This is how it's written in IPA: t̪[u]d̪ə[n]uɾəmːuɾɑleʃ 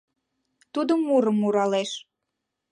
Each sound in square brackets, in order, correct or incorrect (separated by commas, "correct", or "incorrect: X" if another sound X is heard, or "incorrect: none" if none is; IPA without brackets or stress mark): correct, incorrect: m